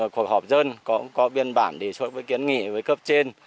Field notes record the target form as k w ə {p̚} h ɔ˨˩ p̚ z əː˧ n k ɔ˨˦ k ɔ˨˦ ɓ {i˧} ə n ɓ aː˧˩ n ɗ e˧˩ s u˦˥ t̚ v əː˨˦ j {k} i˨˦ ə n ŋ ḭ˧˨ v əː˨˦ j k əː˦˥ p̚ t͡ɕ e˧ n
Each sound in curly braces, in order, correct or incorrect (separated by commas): incorrect, correct, correct